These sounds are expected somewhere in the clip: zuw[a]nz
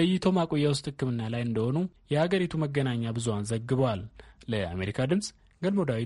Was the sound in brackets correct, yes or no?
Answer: yes